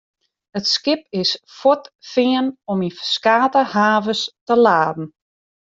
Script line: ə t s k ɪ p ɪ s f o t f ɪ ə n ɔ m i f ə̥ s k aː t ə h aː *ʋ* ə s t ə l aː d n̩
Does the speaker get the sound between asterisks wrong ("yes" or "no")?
yes